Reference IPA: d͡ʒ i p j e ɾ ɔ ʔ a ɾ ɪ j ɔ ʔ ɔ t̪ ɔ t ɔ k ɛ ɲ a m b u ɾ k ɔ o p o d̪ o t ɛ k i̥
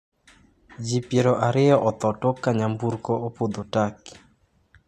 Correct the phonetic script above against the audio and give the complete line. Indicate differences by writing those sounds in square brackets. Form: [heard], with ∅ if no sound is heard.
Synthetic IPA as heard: d͡ʒ i p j e ɾ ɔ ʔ a ɾ ɪ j ɔ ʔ ɔ t̪ ɔ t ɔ k [a] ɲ a m b u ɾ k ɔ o p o d̪ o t [a] k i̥